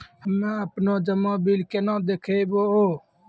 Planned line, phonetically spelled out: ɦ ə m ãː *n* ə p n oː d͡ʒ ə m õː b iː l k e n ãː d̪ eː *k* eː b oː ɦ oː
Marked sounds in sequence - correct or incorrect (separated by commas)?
incorrect, incorrect